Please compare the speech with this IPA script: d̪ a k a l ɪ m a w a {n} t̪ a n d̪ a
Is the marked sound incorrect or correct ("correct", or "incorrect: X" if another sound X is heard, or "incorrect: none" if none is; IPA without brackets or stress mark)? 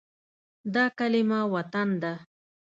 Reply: incorrect: none